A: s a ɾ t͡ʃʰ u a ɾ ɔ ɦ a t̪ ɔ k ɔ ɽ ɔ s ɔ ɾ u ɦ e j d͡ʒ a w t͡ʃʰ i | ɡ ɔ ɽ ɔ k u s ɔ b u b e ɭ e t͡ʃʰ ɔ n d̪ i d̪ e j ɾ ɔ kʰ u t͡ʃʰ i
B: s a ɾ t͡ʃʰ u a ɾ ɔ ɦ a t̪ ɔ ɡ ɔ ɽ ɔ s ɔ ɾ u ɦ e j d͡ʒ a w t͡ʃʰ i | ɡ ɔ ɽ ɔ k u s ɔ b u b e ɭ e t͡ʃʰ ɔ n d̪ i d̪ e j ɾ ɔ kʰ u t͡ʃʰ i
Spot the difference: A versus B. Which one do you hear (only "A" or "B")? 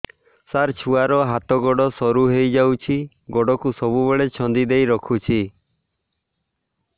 B